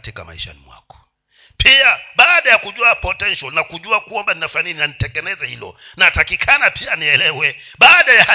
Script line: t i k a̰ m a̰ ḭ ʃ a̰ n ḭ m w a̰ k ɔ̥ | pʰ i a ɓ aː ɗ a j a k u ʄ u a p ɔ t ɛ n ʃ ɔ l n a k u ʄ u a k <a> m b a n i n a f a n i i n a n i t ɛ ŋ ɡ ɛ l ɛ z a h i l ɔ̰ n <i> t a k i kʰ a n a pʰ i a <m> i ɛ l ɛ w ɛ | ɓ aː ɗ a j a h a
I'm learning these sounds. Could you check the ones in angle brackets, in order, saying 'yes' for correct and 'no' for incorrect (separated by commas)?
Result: yes, no, no